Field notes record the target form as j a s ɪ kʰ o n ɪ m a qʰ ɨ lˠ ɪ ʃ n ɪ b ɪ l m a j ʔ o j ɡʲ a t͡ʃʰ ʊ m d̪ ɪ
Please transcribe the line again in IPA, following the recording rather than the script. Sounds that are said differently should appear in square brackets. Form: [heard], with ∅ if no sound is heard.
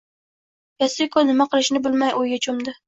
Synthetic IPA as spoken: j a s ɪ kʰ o n ɪ m a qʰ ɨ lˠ ɪ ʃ n ɪ b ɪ l m a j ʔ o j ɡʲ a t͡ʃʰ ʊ m d̪ ɪ